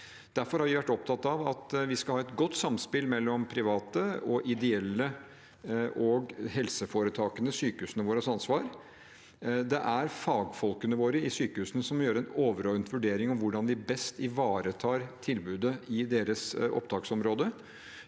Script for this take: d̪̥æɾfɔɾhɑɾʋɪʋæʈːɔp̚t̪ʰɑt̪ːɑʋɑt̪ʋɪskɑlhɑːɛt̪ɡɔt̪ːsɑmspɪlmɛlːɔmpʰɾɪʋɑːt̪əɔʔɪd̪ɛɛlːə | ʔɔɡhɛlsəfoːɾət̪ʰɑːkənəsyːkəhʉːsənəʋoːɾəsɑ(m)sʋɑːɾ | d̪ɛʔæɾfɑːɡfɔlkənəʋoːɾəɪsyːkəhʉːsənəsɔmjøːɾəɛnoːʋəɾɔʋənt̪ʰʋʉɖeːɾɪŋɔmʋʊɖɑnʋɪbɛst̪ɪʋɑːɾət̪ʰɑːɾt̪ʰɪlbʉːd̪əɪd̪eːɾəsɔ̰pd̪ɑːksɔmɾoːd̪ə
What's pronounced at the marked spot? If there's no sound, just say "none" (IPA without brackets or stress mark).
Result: n